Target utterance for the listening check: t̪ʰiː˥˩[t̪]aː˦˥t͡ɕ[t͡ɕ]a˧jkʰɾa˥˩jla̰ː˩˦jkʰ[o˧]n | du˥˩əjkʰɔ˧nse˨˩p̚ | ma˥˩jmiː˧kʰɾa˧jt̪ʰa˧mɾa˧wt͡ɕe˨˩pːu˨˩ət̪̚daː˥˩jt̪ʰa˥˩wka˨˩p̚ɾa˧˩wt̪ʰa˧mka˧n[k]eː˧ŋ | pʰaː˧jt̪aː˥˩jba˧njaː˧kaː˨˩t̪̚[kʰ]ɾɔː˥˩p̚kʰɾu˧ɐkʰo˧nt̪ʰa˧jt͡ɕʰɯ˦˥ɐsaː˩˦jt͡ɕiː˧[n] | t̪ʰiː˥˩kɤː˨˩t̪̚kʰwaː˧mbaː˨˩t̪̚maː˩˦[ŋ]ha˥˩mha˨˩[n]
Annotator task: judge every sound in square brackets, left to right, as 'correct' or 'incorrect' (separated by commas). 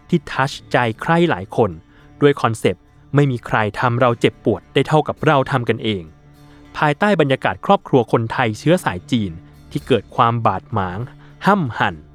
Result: incorrect, correct, correct, incorrect, correct, correct, correct, correct